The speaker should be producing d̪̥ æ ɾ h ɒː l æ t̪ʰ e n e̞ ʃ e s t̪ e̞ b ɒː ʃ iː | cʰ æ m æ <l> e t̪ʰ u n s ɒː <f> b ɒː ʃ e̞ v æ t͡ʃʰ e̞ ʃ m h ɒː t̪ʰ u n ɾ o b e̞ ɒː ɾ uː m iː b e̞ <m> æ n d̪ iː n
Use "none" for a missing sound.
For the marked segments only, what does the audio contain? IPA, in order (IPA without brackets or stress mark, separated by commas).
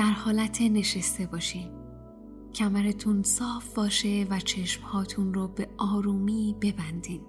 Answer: ɾ, f, b